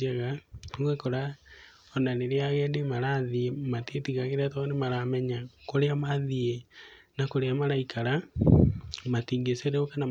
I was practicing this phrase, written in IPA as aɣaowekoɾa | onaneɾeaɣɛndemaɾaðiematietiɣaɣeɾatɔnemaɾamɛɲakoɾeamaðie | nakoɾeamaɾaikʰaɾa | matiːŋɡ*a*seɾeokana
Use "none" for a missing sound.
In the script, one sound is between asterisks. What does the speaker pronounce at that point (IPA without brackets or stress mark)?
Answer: e